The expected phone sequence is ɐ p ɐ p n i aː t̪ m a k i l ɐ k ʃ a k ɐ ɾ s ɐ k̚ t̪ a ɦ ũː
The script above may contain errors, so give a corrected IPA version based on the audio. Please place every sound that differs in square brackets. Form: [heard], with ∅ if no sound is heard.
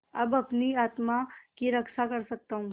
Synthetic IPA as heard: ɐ [b] ɐ p n i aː t̪ m a k i [ɾ] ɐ k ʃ a k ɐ ɾ s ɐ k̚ t̪ a ɦ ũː